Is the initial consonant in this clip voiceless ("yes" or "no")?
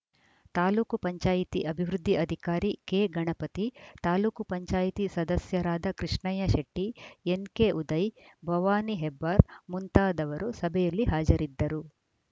yes